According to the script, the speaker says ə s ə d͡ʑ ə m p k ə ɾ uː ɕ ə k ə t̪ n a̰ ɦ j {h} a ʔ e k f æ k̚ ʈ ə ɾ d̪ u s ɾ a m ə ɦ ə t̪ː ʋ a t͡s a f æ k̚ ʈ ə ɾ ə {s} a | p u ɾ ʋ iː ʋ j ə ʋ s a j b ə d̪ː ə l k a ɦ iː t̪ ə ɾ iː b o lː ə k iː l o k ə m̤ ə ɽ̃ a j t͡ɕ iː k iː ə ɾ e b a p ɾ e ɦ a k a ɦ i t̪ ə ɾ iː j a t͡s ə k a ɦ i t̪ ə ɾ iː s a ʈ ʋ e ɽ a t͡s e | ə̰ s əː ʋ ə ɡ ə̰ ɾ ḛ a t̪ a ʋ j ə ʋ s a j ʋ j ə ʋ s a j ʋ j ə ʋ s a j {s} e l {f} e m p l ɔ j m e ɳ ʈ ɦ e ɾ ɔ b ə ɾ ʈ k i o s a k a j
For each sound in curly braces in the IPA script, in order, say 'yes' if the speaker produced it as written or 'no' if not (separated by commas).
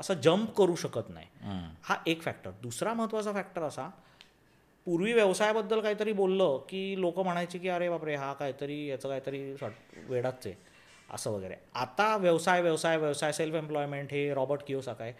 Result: yes, yes, yes, yes